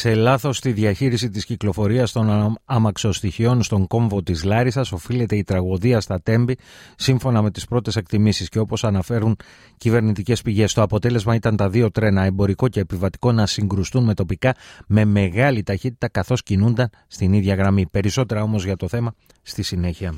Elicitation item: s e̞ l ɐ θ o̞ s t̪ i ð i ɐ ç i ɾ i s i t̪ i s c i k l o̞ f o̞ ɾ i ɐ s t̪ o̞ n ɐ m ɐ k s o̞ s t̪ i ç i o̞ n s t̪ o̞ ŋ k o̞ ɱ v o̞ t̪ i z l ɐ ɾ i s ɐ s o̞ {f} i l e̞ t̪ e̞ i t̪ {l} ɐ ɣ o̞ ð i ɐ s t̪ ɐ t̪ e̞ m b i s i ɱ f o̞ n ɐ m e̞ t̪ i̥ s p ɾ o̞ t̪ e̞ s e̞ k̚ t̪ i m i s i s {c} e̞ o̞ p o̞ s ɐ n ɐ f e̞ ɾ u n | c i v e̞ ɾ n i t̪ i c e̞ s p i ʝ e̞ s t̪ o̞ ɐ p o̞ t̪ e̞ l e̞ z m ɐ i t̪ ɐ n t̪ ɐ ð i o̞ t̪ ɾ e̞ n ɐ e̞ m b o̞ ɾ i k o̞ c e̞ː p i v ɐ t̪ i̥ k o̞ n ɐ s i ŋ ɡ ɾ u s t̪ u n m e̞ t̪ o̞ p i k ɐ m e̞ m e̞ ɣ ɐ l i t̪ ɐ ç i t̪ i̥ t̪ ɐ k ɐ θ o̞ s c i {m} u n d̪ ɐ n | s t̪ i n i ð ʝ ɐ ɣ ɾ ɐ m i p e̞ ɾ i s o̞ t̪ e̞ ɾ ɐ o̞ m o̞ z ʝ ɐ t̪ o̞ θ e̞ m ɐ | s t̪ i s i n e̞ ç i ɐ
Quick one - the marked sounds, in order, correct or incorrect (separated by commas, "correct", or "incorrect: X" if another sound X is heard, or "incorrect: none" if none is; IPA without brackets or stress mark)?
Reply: correct, incorrect: ɾ, correct, incorrect: n